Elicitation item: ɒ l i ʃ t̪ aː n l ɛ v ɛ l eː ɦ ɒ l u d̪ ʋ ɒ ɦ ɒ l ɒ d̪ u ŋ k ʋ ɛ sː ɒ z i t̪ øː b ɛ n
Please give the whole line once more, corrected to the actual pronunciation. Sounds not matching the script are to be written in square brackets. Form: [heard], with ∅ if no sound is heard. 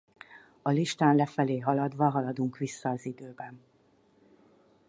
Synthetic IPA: ɒ l i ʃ t̪ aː n l ɛ [f] ɛ l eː ɦ ɒ l [ɒ] d̪ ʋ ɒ ɦ ɒ l ɒ d̪ u ŋ k ʋ [i] sː [ɒː] z i [d̪] øː b ɛ n